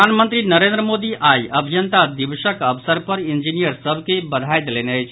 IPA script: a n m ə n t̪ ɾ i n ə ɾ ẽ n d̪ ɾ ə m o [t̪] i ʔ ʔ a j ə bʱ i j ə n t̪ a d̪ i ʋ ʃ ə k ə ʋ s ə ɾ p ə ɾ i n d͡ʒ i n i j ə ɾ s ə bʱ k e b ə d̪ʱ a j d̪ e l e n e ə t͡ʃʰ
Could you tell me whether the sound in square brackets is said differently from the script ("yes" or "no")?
yes